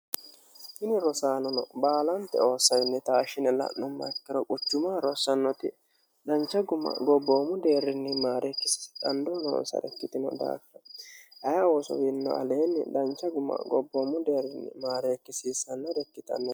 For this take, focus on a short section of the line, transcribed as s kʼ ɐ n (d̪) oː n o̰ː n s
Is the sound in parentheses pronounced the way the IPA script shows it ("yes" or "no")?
yes